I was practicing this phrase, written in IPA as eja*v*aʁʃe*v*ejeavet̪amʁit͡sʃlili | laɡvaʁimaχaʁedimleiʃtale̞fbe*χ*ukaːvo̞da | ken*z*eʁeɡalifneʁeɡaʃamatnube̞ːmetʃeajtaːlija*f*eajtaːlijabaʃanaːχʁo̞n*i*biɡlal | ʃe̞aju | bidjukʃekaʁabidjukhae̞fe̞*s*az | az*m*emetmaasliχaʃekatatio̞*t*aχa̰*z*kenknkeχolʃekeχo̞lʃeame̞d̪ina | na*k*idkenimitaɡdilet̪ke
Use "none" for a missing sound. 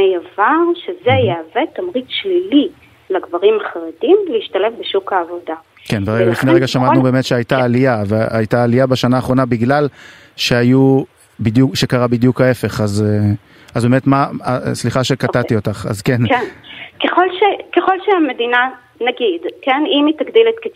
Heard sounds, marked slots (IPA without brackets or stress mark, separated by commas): v, z, ʃ, v, v, a, χ, b, t, z, ɡ